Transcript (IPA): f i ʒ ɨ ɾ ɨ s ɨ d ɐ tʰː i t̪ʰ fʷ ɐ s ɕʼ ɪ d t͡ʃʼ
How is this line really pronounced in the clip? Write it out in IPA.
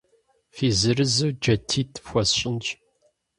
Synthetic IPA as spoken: f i z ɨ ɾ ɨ z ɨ d͡ʒ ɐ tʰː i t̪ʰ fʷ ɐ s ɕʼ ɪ n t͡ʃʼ